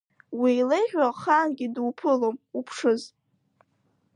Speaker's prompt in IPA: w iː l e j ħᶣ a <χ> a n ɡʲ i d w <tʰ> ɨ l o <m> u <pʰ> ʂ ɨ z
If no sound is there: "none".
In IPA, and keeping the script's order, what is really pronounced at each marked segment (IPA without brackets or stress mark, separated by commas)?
χ, pʰ, m, pʰ